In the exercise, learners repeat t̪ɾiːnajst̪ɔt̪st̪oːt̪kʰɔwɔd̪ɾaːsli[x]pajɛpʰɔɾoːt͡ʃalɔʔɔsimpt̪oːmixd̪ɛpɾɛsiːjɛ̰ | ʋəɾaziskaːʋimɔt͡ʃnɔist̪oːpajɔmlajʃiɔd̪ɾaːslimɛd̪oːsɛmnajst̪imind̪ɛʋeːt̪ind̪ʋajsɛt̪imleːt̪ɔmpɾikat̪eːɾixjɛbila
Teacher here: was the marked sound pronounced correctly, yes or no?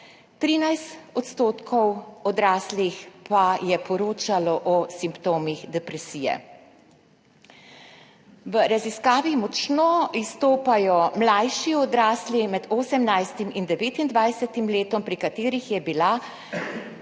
yes